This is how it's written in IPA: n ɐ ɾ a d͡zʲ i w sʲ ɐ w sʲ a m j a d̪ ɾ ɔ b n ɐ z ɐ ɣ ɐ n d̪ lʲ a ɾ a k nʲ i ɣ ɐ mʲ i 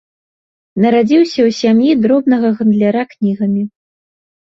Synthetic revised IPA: n ɐ ɾ a d͡zʲ i w sʲ ɐ w sʲ a m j i d̪ ɾ ɔ b n ɐ ɣ ɐ ɣ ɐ n d̪ lʲ a ɾ a k nʲ i ɣ ɐ mʲ i

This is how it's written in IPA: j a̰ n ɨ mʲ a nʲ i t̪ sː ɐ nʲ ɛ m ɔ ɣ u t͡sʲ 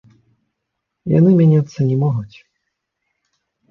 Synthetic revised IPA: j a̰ n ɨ mʲ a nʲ a t̪ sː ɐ nʲ ɛ m ɔ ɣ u t͡sʲ

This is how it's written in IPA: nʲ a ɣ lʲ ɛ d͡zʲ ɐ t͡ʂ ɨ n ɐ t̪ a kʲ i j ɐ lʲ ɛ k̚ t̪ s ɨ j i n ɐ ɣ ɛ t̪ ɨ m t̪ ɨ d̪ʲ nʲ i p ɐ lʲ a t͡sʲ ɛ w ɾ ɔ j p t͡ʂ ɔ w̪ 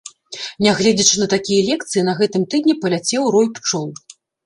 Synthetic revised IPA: nʲ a ɣ lʲ ɛ d͡zʲ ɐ t͡ʂ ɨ n ɐ t̪ a kʲ i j ɐ lʲ ɛ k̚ t̪ s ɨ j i n ɐ ɣ ɛ t̪ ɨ m t̪ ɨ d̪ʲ nʲ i p ɐ lʲ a t͡sʲ ɛ w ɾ ɔ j p t͡ʂ ɔ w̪

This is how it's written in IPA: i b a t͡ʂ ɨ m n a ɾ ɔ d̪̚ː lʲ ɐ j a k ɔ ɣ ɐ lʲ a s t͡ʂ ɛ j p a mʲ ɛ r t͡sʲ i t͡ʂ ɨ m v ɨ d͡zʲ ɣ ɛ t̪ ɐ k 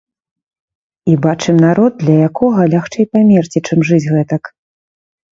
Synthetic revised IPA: i b a t͡ʂ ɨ m n a ɾ ɔ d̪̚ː lʲ ɐ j a k ɔ ɣ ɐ lʲ a x t͡ʂ ɛ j p a mʲ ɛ r t͡sʲ i t͡ʂ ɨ m ʐ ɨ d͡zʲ ɣ ɛ t̪ ɐ k

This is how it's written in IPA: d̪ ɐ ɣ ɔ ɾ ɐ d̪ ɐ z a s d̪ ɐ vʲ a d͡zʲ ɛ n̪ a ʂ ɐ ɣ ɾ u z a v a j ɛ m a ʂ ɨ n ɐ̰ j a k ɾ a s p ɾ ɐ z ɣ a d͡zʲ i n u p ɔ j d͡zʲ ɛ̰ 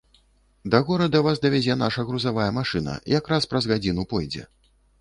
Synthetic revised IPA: d̪ ɐ ɣ ɔ ɾ ɐ d̪ ɐ v a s d̪ ɐ vʲ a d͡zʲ ɛ n̪ a ʂ ɐ ɣ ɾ u z a v a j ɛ m a ʂ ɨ n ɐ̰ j a k ɾ a s p ɾ ɐ z ɣ a d͡zʲ i n u p ɔ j d͡zʲ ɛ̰

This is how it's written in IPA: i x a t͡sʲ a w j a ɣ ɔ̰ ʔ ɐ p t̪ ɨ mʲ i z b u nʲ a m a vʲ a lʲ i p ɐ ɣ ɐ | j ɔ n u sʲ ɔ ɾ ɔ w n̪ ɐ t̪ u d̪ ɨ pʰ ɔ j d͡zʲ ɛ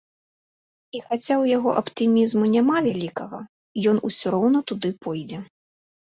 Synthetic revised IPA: i x a t͡sʲ a w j a ɣ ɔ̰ ʔ ɐ p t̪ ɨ mʲ i z m u nʲ a m a vʲ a lʲ i k ɐ ɣ ɐ | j ɔ n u sʲ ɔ ɾ ɔ w n̪ ɐ t̪ u d̪ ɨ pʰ ɔ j d͡zʲ ɛ

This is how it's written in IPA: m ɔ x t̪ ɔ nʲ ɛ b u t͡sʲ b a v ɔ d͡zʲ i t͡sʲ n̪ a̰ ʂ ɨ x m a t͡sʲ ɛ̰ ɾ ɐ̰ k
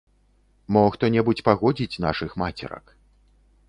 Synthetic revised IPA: m ɔ x t̪ ɔ nʲ ɛ b u t͡sʲ p a ɣ ɔ d͡zʲ i t͡sʲ n̪ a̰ ʂ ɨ x m a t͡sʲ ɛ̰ ɾ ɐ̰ k

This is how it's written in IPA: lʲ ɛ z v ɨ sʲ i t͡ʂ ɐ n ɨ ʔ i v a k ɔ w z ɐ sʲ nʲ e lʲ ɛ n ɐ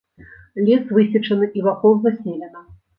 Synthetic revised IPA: lʲ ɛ s v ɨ sʲ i t͡ʂ ɐ n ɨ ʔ i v a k ɔ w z ɐ sʲ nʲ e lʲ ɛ n ɐ

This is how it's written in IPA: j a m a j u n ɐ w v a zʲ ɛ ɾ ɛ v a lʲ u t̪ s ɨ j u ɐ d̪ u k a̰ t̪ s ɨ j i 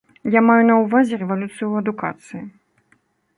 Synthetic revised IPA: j a m a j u n ɐ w v a zʲ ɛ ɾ ɛ v a lʲ u t̪ s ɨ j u ɐ d̪ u k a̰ t̪ s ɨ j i

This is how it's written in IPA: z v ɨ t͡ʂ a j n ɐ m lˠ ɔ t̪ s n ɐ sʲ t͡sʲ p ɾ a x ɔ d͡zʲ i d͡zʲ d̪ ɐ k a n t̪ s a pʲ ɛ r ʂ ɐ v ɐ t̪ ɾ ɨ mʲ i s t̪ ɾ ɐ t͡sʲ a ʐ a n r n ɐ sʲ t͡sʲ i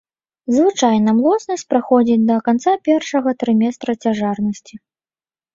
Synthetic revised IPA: z v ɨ t͡ʂ a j n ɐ m lˠ ɔ t̪ s n ɐ sʲ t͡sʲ p ɾ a x ɔ d͡zʲ i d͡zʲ d̪ ɐ k a n t̪ s a pʲ ɛ r ʂ ɐ ɣ ɐ t̪ ɾ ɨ mʲ ɛ s t̪ ɾ ɐ t͡sʲ a ʐ a r n ɐ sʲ t͡sʲ i

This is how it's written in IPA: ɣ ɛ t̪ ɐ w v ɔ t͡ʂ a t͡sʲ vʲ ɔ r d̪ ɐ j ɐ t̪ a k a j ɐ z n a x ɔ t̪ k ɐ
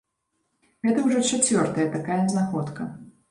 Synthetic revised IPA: ɣ ɛ t̪ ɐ w ʐ ɔ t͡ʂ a t͡sʲ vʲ ɔ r t̪ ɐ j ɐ t̪ a k a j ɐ z n a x ɔ t̪ k ɐ

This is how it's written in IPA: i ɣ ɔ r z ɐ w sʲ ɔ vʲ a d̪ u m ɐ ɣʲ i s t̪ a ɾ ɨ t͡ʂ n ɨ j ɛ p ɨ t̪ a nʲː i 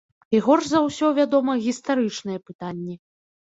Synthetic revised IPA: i ɣ ɔ r z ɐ w sʲ ɔ vʲ a d̪ ɔ m ɐ ɣʲ i s t̪ a ɾ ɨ t͡ʂ n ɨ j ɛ p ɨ t̪ a nʲː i

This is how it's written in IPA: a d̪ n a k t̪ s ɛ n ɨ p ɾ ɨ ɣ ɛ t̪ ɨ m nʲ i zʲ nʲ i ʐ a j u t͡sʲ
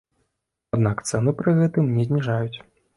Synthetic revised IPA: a d̪ n a k t̪ s ɛ n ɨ p ɾ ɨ ɣ ɛ t̪ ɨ m nʲ ɛ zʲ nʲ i ʐ a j u t͡sʲ

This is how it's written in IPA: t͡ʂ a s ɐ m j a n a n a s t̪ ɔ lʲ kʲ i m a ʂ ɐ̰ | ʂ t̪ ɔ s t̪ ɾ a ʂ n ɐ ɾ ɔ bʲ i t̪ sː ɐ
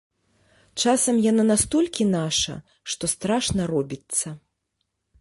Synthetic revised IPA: t͡ʂ a s ɐ m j a n a n a s t̪ ɔ lʲ kʲ i n a ʂ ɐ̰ | ʂ t̪ ɔ s t̪ ɾ a ʂ n ɐ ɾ ɔ bʲ i t̪ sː ɐ

